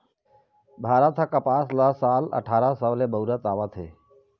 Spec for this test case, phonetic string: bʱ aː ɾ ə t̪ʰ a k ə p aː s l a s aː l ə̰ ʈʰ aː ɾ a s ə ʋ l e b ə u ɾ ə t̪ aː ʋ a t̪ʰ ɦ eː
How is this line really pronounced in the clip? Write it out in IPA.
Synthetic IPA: bʱ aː ɾ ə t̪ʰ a k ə p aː s l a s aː l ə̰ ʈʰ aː ɾ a s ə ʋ l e b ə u ɾ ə t̪ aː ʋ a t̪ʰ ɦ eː